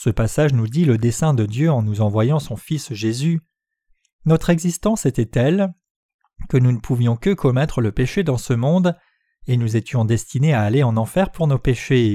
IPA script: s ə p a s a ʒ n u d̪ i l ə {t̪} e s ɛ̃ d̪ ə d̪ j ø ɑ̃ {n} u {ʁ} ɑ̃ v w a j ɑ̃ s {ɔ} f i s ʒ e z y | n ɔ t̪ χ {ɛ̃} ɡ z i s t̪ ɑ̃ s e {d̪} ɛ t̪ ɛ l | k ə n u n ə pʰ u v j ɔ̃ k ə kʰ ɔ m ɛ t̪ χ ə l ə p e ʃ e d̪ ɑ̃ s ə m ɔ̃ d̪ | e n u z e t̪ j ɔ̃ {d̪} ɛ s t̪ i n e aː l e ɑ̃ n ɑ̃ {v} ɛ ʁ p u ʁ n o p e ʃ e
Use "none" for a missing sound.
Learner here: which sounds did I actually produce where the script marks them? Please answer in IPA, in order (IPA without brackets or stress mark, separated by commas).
d̪, n, z, ɔ̃, ɛ, t̪, d̪, f